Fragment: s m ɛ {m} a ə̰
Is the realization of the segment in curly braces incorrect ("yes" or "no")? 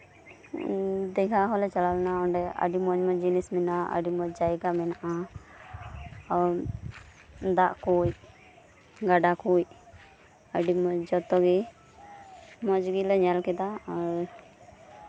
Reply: yes